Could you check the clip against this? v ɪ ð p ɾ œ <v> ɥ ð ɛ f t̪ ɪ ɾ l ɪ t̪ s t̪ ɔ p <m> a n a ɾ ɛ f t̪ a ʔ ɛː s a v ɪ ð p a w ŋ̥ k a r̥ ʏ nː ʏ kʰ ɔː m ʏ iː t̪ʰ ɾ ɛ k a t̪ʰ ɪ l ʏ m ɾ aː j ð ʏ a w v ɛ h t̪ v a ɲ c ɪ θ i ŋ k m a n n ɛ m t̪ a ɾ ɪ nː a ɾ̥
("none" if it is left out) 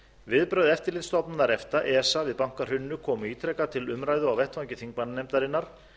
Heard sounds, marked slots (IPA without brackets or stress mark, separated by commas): none, n